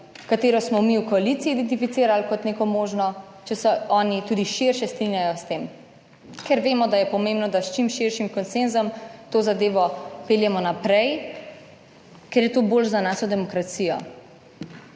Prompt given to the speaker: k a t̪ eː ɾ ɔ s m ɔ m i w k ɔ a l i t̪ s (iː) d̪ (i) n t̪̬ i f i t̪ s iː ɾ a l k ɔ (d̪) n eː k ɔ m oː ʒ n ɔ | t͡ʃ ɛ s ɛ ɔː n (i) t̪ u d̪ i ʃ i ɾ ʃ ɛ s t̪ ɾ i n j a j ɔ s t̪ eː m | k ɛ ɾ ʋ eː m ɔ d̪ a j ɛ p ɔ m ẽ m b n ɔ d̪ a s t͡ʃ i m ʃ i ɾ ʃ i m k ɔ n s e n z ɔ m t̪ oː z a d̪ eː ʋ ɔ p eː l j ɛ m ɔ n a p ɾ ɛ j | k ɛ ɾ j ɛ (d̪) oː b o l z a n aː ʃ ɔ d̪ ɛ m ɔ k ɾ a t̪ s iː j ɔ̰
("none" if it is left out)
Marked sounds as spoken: iː, ɛ, t̪, i, t̪

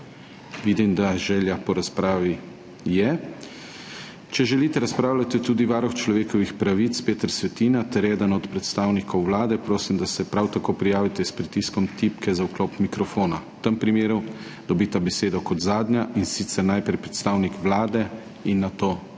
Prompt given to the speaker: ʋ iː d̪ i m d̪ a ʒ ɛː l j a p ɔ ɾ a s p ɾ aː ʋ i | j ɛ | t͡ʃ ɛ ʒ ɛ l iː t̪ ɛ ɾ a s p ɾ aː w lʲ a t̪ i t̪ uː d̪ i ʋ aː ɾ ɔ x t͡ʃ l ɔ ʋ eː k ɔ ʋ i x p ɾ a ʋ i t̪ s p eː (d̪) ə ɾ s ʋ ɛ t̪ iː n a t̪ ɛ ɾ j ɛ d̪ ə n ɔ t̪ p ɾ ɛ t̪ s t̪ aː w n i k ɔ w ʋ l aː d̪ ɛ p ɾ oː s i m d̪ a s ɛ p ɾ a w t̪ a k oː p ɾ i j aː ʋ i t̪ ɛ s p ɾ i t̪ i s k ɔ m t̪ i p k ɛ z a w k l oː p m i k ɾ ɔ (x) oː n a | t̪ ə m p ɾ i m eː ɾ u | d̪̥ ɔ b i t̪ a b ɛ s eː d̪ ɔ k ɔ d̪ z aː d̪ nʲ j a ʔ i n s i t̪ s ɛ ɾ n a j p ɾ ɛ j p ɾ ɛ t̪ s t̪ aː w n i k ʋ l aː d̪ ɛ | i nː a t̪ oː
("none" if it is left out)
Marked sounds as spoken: t̪, f

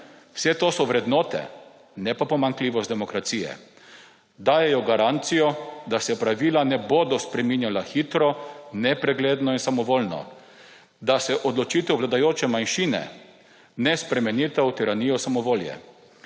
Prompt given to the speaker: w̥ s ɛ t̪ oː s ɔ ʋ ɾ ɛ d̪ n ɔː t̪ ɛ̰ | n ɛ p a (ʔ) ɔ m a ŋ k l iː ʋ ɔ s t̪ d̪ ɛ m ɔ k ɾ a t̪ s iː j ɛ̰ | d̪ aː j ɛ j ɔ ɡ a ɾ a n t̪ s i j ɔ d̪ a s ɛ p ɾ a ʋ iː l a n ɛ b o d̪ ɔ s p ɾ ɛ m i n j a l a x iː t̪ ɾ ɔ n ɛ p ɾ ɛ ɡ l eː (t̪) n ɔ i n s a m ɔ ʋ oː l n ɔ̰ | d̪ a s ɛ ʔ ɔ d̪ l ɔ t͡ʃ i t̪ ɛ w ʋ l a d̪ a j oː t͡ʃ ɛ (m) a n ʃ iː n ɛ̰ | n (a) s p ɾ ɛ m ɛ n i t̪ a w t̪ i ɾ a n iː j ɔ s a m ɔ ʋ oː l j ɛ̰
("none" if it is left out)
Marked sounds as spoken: p, d̪, m, ɛ

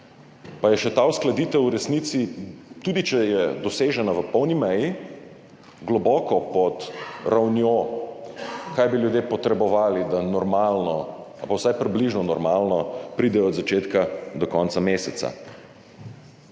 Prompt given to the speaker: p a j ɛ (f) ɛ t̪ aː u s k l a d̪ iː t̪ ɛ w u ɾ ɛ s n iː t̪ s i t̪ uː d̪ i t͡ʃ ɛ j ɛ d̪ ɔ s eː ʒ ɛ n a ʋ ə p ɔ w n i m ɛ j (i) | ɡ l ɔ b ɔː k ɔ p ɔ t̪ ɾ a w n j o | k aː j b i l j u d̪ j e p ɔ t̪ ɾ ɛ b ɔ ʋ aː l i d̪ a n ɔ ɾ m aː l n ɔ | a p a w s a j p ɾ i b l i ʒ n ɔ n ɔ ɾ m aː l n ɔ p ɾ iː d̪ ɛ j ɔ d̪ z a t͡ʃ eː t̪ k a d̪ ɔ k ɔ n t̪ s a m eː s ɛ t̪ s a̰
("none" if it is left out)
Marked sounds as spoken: ʃ, i

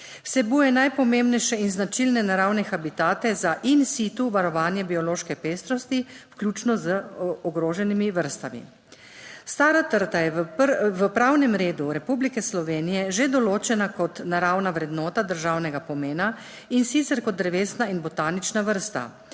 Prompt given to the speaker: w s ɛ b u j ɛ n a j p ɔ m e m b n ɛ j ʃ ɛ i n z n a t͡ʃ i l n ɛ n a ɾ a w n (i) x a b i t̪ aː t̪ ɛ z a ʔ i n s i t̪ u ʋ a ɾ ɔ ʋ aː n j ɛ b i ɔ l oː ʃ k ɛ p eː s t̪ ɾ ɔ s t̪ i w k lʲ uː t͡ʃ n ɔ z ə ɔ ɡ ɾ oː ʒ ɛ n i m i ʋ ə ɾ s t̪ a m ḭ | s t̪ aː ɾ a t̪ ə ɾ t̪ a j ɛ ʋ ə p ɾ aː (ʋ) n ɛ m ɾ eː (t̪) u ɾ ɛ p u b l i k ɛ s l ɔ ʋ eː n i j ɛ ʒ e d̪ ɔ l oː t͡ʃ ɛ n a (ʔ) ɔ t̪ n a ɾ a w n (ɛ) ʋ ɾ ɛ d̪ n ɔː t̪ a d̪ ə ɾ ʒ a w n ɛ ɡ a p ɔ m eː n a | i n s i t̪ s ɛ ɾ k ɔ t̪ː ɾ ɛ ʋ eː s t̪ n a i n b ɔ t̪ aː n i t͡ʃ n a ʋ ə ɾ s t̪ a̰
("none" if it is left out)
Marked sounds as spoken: ɛ, w, d̪, k, a

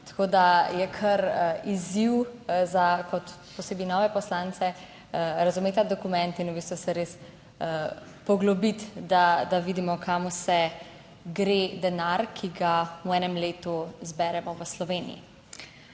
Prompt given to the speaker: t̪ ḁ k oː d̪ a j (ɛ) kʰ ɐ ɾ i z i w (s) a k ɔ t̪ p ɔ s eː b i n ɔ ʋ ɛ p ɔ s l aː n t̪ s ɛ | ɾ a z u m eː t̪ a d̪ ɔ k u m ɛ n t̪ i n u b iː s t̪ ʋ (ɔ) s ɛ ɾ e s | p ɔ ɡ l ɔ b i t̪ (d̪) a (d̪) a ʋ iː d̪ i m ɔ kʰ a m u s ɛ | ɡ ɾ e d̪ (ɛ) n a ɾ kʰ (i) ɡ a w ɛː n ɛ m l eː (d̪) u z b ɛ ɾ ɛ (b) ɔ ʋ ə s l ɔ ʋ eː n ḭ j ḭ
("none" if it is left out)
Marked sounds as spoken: ɛ, z, u, d̪, d̪, ɛ, i, t̪, m

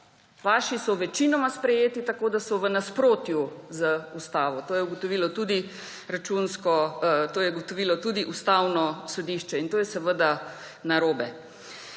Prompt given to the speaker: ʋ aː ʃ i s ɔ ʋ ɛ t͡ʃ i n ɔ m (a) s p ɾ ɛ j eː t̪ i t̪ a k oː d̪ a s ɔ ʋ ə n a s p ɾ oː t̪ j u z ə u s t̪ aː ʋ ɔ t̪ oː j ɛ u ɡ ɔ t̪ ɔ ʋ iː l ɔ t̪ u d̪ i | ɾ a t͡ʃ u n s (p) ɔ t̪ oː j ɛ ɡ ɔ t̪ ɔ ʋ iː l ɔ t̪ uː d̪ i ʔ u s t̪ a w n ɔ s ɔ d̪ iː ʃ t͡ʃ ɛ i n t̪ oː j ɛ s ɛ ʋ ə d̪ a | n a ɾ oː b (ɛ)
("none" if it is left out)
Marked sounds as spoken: a, k, ɛ

